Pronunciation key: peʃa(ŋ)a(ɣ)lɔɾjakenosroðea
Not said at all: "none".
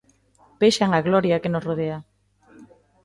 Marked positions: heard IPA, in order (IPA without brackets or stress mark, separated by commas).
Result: ŋ, ɣ